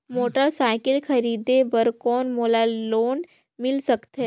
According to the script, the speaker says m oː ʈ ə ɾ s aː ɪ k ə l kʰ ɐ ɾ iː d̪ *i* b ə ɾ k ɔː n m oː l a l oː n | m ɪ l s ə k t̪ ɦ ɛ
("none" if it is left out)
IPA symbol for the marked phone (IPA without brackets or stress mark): e